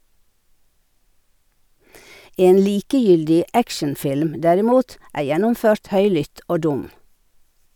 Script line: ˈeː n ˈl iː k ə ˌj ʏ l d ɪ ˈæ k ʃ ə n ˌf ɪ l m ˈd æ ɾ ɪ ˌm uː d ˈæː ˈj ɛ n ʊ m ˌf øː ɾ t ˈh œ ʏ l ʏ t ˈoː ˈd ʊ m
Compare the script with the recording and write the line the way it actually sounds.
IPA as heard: ˈeː n ˈl iː k ə ˌj ʏ l d ɪ ˈæ k ʃ ə n ˌf ɪ l m ˈd æ ɾ ɪ ˌm uː t ˈæː ˈj ɛ n ʊ m ˌf øː ɾ t ˈh œ ʏ l ʏ t ˈoː ˈd ʊ m